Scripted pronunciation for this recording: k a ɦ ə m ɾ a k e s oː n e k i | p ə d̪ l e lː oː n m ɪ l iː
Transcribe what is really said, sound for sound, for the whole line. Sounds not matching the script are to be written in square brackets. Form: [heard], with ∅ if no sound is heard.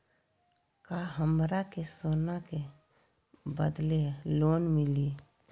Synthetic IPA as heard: k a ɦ ə m ɾ a k e s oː n [a] k [e] | [b] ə d̪ l e [l] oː n m ɪ l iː